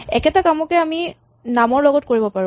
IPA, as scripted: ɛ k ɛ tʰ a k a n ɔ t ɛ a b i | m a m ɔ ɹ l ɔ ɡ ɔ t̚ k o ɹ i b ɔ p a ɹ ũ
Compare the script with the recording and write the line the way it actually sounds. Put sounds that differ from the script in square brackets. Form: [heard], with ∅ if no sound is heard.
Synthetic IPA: ɛ k ɛ [t] a k a [m] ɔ [k] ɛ a [m] i | [n] a m ɔ ɹ l ɔ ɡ ɔ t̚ k o ɹ i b ɔ p a ɹ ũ

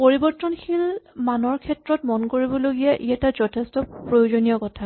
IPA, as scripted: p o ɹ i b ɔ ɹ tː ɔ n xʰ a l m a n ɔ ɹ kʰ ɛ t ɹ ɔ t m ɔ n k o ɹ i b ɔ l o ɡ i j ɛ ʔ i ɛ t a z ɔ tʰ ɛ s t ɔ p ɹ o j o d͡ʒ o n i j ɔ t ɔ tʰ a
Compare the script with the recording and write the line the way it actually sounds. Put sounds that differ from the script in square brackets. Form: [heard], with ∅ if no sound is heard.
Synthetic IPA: p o ɹ i b ɔ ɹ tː ɔ n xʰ [i] l m a n ɔ ɹ kʰ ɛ t ɹ ɔ t m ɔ n k o ɹ i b ɔ l o ɡ i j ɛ ʔ i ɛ t a z ɔ tʰ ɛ s t ɔ p ɹ o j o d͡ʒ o n i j ɔ [k] ɔ tʰ a

